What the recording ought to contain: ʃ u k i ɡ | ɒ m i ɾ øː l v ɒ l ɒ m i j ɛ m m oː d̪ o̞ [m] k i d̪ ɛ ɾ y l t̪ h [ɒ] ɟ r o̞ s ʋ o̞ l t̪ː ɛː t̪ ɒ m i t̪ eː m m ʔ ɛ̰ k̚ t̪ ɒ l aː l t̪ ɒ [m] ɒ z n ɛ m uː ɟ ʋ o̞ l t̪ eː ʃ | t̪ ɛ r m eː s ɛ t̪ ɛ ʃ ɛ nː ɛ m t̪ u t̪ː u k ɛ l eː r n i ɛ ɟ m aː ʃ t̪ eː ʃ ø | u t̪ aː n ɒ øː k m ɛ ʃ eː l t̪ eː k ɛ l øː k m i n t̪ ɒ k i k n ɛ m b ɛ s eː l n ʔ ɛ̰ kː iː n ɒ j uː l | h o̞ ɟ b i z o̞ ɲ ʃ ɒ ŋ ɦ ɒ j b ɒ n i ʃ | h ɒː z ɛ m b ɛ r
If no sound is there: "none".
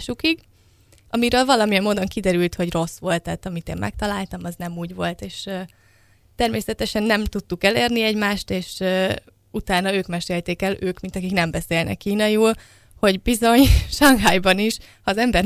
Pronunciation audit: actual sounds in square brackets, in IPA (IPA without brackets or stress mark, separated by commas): ŋ, o, m